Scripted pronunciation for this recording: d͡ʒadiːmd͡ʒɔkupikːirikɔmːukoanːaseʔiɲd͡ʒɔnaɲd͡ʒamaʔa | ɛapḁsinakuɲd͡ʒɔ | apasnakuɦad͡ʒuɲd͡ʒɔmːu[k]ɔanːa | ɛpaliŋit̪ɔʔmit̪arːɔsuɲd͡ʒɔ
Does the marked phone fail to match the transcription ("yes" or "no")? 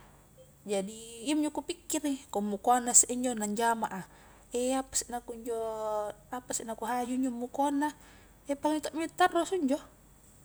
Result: no